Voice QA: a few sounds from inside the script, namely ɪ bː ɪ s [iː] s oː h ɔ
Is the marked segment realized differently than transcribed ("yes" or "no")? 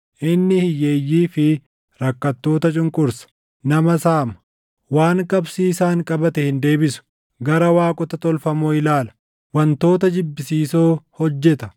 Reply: no